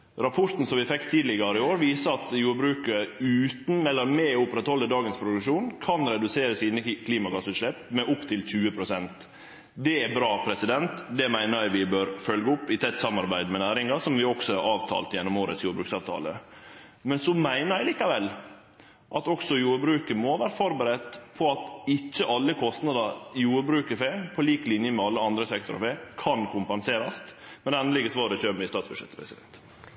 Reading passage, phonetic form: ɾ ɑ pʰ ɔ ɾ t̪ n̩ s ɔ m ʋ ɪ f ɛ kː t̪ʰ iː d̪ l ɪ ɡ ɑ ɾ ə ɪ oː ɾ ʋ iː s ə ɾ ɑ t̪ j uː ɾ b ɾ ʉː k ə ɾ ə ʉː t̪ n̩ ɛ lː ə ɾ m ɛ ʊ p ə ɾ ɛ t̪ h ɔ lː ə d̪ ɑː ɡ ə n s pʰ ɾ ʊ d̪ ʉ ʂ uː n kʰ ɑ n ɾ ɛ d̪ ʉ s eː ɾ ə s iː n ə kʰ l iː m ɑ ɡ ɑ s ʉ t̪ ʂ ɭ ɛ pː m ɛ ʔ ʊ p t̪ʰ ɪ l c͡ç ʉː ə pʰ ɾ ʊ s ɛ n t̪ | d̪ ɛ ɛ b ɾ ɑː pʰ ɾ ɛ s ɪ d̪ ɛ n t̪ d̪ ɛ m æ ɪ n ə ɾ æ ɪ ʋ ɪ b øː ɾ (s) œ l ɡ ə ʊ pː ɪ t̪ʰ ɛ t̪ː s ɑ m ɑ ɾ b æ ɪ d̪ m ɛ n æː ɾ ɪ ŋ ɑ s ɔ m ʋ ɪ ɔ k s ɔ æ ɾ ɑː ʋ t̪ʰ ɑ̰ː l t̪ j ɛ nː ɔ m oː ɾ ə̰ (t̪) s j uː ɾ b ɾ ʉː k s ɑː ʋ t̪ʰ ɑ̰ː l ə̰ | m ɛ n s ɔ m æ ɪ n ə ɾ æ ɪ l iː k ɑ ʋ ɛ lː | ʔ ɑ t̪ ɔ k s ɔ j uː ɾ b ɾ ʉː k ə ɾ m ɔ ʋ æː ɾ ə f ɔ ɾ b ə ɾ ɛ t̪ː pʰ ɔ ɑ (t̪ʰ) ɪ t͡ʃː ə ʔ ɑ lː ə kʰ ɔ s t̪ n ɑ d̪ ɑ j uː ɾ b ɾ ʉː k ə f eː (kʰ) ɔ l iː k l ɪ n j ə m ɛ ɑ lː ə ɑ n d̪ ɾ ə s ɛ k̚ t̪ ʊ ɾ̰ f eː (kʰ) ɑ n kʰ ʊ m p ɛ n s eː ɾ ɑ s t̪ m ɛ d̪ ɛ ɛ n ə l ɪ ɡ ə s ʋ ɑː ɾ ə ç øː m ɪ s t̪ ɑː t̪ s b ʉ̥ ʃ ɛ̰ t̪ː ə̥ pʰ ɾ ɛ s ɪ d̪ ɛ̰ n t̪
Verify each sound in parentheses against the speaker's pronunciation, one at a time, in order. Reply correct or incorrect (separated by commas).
incorrect, correct, incorrect, incorrect, correct